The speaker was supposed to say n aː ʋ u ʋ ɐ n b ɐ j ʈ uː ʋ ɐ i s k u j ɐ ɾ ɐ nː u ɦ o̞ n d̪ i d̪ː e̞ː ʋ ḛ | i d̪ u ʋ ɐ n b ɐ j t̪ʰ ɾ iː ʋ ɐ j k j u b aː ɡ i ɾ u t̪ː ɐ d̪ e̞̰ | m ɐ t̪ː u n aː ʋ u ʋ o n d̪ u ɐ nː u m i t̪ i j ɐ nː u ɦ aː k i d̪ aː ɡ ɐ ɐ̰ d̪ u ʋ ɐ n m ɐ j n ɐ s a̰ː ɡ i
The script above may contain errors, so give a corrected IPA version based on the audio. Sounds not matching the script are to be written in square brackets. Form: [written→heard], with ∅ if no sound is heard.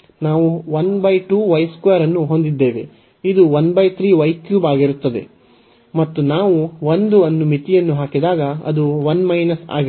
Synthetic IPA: n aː ʋ u ʋ ɐ n b ɐ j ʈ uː ʋ ɐ [i→j] s k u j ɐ ɾ ɐ nː u ɦ o̞ n d̪ i d̪ː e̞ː ʋ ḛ | i d̪ u ʋ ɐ n b ɐ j t̪ʰ ɾ iː ʋ ɐ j k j [u→uː] b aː ɡ i ɾ u t̪ː ɐ d̪ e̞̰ | m ɐ t̪ː u n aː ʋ u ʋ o n d̪ u ɐ nː u m i t̪ i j ɐ nː u ɦ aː k i d̪ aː ɡ ɐ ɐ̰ d̪ u ʋ ɐ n m ɐ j n ɐ s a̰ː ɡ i